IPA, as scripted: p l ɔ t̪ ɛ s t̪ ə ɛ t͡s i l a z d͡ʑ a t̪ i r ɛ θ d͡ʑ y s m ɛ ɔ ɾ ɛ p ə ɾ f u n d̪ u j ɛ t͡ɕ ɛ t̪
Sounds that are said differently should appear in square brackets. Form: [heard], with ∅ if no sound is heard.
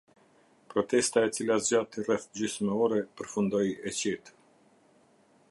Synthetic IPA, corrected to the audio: p [ɾ] ɔ t̪ ɛ s t̪ [a] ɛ t͡s i l a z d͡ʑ a t̪ i r ɛ θ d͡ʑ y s m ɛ ɔ ɾ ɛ p ə ɾ f u n d̪ [ɔ] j ɛ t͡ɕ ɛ t̪